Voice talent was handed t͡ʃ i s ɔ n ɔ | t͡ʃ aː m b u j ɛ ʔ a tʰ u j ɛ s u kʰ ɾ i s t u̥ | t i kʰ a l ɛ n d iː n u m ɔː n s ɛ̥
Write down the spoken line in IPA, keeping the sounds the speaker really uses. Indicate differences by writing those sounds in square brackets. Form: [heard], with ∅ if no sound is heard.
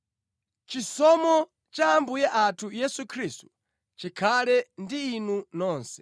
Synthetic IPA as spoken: t͡ʃ i s ɔ [m] ɔ | t͡ʃ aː m b u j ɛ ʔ a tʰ u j ɛ s u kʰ ɾ i s t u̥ | [t͡ʃ] i kʰ a l ɛ n d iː n u [n] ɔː n s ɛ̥